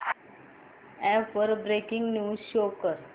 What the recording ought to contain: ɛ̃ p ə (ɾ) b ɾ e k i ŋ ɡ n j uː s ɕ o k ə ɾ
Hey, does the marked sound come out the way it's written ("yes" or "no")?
yes